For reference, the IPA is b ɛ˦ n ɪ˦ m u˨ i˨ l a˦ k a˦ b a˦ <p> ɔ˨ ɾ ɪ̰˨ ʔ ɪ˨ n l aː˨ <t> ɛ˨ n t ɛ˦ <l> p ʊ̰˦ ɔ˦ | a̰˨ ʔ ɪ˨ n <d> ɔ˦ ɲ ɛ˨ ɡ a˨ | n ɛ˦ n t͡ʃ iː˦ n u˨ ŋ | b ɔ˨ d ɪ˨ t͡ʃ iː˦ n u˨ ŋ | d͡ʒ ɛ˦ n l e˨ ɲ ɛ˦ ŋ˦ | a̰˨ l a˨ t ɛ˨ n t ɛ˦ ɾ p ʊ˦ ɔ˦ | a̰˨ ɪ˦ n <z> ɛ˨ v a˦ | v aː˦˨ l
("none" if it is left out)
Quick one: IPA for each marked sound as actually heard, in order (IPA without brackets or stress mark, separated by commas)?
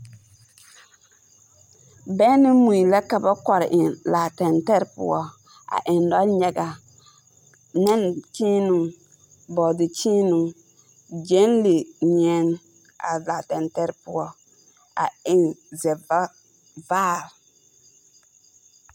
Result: k, t, ɾ, d, z